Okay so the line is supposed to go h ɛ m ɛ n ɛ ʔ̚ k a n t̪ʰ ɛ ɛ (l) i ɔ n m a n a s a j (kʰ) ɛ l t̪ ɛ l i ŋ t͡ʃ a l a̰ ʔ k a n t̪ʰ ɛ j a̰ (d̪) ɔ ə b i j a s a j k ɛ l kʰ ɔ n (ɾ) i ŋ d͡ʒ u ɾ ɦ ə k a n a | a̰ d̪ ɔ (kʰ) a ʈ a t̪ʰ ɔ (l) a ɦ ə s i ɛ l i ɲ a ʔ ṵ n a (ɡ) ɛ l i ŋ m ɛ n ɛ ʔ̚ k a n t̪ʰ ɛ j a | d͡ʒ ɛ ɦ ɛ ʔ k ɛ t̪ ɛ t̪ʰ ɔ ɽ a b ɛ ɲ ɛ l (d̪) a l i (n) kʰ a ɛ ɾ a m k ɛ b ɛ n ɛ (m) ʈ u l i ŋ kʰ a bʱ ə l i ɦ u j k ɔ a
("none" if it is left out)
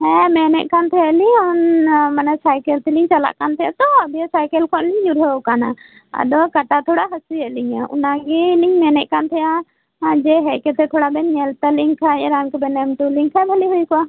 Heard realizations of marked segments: l, k, t̪, l, k, ɽ, ɡ, t̪, ŋ, m

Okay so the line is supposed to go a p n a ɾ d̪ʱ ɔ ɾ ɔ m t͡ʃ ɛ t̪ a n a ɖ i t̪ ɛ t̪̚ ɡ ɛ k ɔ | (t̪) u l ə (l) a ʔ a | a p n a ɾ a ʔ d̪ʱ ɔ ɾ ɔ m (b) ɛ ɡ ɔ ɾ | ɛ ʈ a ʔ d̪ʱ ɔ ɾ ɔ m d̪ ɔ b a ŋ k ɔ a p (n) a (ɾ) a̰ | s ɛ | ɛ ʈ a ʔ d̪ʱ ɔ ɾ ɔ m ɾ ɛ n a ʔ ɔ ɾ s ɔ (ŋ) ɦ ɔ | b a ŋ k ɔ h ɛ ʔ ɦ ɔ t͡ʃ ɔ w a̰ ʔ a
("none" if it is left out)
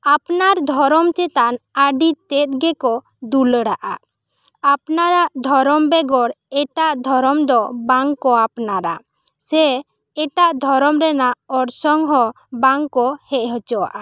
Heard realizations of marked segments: d̪, ɽ, b, n, ɾ, ŋ

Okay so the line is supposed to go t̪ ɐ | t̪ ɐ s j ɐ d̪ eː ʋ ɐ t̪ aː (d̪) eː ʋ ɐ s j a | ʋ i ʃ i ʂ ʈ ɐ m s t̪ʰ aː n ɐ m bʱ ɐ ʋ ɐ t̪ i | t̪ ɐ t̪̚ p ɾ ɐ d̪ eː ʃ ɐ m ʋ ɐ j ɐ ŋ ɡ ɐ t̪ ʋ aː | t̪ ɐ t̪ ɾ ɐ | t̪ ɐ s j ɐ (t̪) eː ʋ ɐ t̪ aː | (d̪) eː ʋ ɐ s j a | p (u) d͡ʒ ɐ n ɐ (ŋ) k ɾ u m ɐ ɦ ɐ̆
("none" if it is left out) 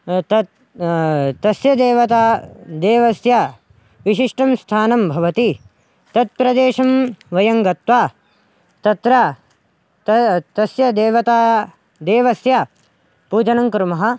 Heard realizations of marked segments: d̪, d̪, d̪, uː, ŋ

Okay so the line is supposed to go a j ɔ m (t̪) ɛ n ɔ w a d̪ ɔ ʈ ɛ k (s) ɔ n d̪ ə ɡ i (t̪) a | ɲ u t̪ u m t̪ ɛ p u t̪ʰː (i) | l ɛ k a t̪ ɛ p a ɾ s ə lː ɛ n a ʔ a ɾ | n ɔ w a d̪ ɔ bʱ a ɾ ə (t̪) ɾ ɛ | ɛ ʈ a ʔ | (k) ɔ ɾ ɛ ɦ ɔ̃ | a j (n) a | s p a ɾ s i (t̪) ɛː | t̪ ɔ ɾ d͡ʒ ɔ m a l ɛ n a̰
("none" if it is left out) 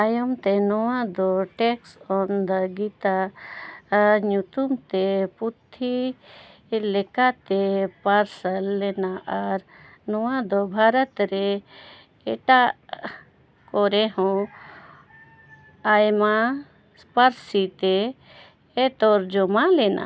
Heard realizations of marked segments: t̪, s, t̪, i, t̪, k, m, t̪

